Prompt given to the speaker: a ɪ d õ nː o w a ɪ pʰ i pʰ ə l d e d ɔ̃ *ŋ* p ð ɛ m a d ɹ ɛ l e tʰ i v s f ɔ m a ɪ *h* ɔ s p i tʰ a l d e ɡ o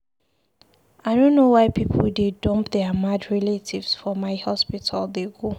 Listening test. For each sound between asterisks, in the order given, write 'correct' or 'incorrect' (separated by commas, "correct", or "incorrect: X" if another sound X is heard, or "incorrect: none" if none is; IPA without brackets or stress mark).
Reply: incorrect: m, correct